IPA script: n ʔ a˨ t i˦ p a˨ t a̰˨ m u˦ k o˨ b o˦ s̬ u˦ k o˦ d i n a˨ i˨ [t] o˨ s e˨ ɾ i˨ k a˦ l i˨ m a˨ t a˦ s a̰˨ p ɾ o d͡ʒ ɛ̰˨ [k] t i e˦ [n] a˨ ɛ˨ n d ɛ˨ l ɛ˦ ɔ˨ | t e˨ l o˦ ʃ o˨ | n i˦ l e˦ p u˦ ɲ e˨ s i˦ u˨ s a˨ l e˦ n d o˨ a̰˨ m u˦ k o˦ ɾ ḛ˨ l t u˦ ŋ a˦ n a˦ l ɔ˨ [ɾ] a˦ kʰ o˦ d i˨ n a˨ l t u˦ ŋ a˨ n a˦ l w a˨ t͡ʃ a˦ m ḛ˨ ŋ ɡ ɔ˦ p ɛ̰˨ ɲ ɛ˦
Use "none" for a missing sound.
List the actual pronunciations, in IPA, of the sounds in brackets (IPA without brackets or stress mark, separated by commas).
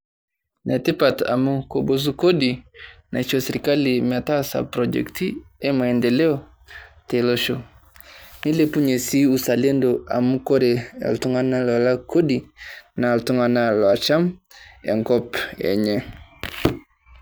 t͡ʃ, k, m, l